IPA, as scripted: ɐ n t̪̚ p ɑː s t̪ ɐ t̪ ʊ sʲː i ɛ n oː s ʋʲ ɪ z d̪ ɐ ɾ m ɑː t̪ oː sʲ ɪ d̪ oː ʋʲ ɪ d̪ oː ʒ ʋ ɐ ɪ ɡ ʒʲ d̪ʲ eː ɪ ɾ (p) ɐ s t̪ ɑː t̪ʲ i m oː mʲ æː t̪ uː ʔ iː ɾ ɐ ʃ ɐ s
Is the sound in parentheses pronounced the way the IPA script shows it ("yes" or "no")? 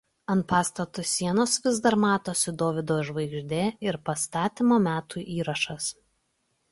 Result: yes